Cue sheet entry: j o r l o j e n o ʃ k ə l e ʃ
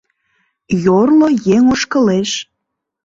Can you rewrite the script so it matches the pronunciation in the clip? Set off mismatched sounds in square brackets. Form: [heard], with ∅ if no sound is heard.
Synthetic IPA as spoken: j o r l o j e [ŋ] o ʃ k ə l e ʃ